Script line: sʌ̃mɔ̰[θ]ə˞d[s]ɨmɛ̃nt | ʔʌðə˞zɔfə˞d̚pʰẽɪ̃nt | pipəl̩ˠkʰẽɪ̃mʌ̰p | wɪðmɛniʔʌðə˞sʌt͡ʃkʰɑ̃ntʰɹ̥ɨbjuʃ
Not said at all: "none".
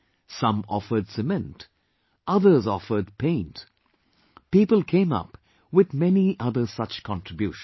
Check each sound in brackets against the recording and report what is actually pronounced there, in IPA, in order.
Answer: f, s

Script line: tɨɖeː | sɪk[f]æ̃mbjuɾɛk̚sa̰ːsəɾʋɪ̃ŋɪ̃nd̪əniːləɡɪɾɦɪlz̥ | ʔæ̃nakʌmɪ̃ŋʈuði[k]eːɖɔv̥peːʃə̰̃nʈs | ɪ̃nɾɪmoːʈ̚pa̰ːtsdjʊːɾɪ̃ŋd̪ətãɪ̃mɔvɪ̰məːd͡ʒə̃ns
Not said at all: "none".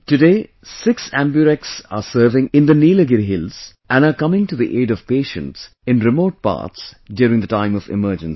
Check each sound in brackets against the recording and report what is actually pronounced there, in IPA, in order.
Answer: s, ʔ

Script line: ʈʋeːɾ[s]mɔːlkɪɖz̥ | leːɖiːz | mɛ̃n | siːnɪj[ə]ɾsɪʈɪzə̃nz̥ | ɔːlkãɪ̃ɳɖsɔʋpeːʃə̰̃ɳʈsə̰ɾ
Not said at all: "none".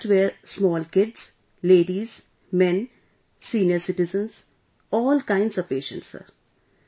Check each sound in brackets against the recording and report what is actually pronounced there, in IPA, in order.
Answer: s, ə

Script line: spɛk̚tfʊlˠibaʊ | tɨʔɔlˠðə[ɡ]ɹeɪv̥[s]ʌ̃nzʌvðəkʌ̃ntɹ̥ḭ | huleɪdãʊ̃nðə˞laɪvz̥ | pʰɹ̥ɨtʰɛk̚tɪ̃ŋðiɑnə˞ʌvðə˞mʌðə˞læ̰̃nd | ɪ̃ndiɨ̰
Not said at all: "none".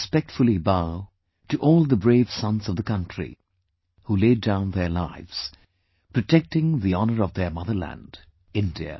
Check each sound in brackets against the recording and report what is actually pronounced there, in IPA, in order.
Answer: b, s

